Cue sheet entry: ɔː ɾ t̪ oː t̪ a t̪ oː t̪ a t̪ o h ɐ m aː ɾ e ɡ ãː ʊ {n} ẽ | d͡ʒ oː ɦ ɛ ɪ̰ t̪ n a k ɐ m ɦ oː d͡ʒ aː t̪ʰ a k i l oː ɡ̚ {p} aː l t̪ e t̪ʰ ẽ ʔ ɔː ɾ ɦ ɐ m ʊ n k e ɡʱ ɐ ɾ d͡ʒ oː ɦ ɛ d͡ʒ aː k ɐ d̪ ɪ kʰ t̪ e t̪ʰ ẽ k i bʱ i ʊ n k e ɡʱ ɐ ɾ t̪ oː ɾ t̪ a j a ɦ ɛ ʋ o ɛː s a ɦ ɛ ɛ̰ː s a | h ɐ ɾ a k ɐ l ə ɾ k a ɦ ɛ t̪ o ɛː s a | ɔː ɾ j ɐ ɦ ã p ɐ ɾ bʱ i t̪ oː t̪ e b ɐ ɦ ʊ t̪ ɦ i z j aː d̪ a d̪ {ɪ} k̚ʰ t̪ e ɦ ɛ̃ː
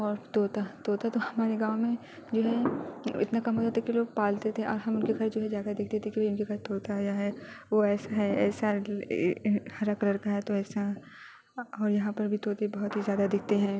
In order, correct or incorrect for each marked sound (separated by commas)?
incorrect, correct, correct